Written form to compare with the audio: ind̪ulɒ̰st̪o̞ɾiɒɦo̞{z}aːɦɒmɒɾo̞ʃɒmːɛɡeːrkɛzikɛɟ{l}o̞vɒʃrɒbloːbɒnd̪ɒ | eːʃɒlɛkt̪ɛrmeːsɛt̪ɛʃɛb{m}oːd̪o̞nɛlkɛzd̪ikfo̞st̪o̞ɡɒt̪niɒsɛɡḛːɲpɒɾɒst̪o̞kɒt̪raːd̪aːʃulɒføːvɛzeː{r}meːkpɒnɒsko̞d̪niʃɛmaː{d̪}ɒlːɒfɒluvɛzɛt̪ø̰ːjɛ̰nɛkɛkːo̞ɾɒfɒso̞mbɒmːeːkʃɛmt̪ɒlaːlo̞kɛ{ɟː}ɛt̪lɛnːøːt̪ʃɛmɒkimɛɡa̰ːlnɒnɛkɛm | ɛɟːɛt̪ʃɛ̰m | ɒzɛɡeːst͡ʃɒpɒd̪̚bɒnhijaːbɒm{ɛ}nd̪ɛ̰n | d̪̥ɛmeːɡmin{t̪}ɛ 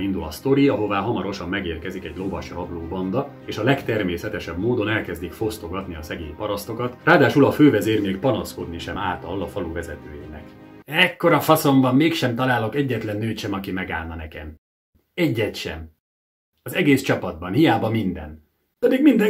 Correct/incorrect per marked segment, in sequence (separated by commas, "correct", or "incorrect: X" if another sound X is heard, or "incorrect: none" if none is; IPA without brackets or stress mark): incorrect: v, correct, correct, correct, incorrect: t̪, correct, incorrect: i, incorrect: d̪